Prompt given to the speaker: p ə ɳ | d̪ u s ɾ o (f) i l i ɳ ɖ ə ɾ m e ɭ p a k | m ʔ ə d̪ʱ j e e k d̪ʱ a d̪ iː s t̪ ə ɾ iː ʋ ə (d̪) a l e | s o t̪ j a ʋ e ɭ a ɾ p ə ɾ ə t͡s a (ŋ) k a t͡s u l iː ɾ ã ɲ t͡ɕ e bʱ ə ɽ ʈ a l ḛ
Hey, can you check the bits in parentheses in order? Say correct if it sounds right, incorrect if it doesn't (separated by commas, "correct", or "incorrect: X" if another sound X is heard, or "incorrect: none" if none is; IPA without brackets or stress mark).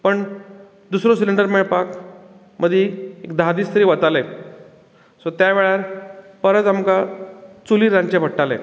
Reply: incorrect: s, incorrect: t̪, incorrect: m